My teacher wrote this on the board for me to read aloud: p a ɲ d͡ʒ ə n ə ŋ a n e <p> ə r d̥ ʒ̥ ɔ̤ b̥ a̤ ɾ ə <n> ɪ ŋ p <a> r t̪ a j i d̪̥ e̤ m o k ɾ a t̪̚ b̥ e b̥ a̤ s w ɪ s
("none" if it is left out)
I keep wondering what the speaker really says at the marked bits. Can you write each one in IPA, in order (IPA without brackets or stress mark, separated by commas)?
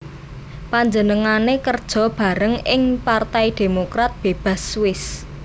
k, ŋ, a